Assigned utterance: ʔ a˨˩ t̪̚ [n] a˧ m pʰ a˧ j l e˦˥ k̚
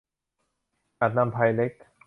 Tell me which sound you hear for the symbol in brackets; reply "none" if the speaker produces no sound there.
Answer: n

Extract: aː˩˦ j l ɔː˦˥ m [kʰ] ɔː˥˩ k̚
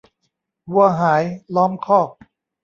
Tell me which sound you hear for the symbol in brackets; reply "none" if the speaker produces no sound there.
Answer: kʰ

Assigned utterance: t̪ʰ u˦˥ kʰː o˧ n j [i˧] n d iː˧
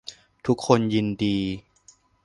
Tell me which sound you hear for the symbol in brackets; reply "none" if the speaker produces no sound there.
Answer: i˧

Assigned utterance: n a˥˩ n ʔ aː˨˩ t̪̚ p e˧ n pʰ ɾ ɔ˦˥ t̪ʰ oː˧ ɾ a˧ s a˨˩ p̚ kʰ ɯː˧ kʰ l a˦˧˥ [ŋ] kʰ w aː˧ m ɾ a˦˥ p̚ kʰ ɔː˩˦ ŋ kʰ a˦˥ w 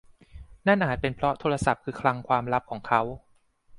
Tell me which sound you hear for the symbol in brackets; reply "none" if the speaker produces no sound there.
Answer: ŋ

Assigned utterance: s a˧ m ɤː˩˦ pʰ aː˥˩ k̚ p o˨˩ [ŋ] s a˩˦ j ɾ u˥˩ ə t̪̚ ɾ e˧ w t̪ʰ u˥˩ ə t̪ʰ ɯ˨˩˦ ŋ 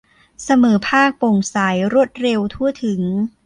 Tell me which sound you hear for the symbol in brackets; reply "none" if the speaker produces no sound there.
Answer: ŋ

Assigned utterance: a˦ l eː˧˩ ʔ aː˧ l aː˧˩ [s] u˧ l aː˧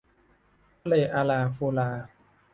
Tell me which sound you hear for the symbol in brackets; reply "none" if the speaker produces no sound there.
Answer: f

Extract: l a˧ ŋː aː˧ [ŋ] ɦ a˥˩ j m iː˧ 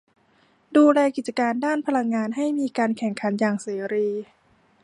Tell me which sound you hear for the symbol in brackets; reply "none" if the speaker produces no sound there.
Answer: n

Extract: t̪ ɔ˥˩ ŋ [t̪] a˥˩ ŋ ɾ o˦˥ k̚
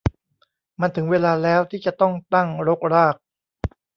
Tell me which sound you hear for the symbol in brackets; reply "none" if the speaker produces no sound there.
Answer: t̪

